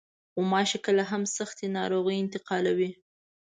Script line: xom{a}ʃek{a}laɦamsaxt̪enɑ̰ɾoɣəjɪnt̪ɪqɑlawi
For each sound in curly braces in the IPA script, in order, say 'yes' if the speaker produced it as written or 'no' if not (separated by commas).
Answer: no, no